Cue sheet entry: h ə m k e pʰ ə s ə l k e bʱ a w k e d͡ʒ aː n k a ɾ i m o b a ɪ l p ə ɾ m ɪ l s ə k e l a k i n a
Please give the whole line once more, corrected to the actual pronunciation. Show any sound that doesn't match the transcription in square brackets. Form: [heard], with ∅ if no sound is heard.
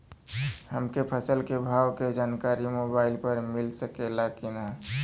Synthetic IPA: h ə m k e pʰ ə s ə l k e bʱ a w k e d͡ʒ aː n k a ɾ i m o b a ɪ l p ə ɾ m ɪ l s ə k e l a k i n a